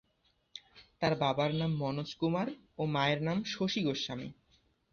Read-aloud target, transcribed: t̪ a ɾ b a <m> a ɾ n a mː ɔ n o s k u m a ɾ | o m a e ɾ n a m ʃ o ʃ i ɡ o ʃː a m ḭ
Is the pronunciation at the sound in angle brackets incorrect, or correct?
incorrect